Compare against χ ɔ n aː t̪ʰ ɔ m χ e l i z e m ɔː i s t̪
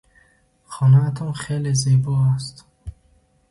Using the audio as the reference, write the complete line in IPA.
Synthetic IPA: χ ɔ n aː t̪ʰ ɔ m χ e l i z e b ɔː a s t̪